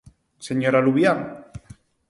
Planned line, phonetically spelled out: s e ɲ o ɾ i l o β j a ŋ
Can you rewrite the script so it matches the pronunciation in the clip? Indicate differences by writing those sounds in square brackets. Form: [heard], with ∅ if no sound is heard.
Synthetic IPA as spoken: s e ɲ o ɾ [a] l [u] β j a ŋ